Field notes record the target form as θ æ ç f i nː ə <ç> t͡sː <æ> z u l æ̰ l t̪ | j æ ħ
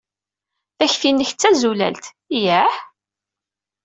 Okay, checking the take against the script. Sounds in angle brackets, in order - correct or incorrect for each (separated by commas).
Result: correct, correct